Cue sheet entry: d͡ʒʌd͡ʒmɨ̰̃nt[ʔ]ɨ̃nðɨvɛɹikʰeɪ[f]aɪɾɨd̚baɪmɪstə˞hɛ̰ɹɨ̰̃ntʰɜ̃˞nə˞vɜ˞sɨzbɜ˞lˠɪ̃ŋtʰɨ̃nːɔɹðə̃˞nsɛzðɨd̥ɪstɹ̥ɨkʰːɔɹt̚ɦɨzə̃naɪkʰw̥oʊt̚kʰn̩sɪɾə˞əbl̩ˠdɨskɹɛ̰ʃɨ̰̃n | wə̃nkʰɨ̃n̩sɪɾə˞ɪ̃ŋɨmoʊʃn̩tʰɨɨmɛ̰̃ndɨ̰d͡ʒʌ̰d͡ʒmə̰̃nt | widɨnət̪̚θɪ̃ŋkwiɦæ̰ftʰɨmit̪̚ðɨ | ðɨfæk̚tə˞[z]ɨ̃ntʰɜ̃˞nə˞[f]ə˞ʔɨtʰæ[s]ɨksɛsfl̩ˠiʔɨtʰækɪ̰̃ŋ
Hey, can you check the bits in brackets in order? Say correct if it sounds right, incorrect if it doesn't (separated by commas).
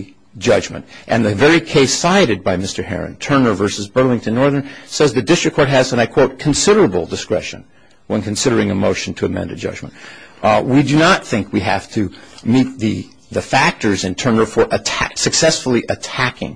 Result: correct, incorrect, correct, correct, correct